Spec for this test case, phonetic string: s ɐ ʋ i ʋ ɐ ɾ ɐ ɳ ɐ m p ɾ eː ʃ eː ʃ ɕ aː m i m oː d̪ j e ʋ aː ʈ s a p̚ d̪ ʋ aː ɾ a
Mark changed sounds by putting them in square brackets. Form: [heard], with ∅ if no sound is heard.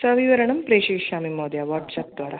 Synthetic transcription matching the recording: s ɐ ʋ i ʋ ɐ ɾ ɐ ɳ ɐ m p ɾ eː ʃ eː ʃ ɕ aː m i m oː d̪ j [a] ʋ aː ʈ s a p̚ d̪ ʋ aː ɾ a